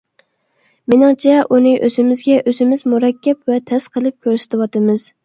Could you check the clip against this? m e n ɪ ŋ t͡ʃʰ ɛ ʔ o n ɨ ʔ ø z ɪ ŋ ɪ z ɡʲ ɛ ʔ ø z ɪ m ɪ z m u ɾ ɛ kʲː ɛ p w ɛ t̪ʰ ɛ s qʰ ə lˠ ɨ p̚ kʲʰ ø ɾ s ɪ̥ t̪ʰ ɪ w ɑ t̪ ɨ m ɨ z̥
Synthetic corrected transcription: m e n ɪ ŋ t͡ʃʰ ɛ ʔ u n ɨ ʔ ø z ɪ m ɪ z ɡʲ ɛ ʔ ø z ɪ m ɪ z m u ɾ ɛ kʲː ɛ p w ɛ t̪ʰ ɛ s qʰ ə lˠ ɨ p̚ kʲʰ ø ɾ s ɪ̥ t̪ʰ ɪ w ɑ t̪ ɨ m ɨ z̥